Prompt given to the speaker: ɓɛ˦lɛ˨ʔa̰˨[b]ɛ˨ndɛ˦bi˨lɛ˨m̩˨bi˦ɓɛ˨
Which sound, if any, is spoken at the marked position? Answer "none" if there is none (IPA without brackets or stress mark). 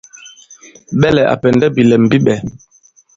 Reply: p